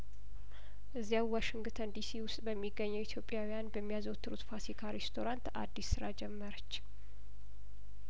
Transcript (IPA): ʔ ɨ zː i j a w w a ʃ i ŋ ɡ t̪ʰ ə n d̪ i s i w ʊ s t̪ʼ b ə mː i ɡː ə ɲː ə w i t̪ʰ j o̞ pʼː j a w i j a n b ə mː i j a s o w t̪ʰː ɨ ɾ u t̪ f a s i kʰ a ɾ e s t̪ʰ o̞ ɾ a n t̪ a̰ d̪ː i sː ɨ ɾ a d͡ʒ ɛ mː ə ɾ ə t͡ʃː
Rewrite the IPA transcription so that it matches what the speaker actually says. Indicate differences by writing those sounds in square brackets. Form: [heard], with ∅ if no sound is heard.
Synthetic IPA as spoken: ʔ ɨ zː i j a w w a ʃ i ŋ ɡ t̪ʰ ə n d̪ i s i w ʊ s t̪ʼ b ə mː i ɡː ə ɲː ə w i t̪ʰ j o̞ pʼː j a w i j a n b ə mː i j a [z] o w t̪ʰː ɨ ɾ u t̪ f a s i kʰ a ɾ e s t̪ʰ o̞ ɾ a n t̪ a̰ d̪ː i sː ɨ ɾ a d͡ʒ ɛ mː ə ɾ ə t͡ʃː